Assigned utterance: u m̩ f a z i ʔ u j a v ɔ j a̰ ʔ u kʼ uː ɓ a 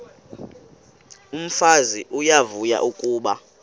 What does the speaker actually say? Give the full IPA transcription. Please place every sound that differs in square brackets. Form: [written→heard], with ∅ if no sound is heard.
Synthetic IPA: u m̩ f a z i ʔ u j a v [ɔ→u] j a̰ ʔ u kʼ uː ɓ a